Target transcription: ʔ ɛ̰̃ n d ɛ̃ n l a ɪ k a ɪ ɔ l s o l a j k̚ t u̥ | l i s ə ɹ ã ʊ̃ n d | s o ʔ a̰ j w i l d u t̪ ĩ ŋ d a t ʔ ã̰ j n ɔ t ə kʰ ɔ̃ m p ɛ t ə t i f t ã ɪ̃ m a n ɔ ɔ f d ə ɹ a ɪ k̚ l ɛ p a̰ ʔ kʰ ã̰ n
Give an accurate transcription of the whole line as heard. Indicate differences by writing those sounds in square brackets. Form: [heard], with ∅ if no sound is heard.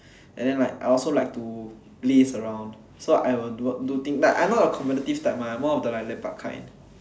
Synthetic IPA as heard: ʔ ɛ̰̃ n d ɛ̃ n l a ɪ k a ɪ ɔ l s o l a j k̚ t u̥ | l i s ə ɹ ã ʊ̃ n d | s o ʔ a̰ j w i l d u t̪ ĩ ŋ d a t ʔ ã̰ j n ɔ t ə kʰ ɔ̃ m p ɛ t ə t i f t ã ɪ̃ m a [m] ɔ ɔ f d ə [l] a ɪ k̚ l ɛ p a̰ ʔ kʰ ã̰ n